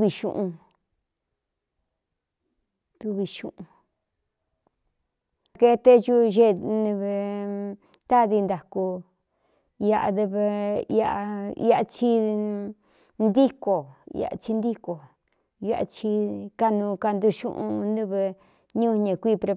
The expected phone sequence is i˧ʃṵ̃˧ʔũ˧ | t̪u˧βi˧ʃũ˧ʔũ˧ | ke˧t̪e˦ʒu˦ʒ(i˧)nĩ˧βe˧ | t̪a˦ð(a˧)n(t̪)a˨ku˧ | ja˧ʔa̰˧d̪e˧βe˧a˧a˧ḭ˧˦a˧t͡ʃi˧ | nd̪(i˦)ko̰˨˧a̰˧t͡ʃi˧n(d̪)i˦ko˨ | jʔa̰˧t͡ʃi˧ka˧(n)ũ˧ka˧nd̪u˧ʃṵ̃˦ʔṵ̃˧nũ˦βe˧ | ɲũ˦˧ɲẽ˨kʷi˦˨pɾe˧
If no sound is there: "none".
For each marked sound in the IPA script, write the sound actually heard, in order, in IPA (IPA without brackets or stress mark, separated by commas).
e˧, i˧, d̪, i˦, d̪, n